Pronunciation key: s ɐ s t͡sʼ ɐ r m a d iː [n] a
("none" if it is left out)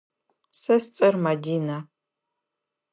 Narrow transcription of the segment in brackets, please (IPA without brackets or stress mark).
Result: n